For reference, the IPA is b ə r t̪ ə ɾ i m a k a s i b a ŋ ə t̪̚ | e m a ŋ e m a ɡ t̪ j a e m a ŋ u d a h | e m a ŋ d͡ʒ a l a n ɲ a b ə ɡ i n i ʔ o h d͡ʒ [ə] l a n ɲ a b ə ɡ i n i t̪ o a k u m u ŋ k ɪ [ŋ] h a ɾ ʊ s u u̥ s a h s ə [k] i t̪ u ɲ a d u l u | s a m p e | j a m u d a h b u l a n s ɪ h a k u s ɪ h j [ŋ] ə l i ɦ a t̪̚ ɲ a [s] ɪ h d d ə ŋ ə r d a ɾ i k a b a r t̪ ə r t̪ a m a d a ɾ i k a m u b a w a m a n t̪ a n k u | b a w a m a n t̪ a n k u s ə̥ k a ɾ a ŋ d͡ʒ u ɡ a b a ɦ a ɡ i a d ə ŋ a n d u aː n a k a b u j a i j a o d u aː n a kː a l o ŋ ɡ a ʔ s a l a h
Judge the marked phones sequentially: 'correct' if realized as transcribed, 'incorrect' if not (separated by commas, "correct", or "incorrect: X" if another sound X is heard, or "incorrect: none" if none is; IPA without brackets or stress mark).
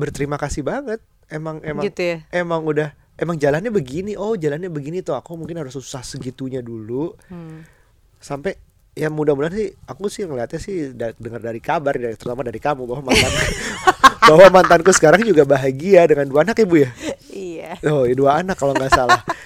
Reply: incorrect: a, incorrect: n, incorrect: ɡ, correct, correct